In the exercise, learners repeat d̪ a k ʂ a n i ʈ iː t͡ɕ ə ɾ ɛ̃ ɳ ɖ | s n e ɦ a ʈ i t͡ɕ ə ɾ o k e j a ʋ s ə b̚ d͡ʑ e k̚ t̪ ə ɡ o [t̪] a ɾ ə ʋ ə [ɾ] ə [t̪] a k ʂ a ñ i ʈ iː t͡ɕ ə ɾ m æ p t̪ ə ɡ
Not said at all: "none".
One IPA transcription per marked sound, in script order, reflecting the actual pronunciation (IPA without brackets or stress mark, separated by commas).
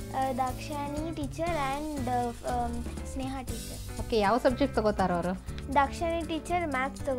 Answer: t̪, ɾ, d̪